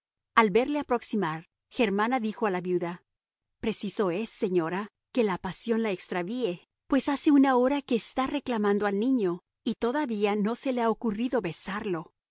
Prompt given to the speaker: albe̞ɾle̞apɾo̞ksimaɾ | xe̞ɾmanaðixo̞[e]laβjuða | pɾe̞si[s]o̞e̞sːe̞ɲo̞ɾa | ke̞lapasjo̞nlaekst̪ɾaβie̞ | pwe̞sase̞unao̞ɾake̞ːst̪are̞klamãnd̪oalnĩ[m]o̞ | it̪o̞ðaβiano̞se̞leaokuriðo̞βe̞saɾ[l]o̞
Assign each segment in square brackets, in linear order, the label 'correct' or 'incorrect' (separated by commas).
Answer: incorrect, correct, incorrect, correct